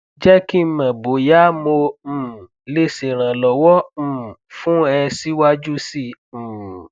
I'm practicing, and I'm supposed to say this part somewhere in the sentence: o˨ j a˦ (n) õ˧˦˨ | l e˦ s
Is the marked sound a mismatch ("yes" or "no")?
yes